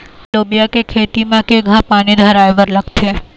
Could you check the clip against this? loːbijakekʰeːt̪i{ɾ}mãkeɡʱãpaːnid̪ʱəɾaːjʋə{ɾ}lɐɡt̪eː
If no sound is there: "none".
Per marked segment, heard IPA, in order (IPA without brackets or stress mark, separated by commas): none, ɾ